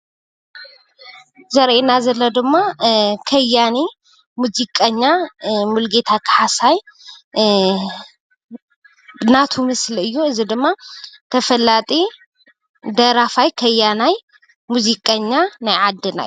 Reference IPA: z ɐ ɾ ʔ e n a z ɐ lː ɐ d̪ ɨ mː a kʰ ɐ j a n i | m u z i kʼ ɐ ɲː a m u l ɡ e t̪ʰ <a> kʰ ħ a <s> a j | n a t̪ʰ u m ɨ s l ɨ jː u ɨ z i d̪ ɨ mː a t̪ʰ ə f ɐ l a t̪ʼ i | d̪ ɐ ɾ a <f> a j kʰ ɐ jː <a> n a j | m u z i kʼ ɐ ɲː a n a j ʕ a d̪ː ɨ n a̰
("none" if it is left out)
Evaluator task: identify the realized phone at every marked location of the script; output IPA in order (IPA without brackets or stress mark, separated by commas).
a, s, f, a